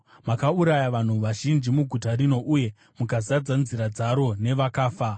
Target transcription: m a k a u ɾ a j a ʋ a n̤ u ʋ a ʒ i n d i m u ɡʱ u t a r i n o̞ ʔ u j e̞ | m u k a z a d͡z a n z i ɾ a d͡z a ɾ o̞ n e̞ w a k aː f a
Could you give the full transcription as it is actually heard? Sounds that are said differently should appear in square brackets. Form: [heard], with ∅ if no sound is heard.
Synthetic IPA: m a k a u ɾ a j a ʋ a n̤ u ʋ a ʒ i n [d͡ʒ] i m u ɡʱ u t a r i n o̞ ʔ u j e̞ | m u k a z a d͡z a n z i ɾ a d͡z a ɾ o̞ n e̞ [ʋ] a k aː f a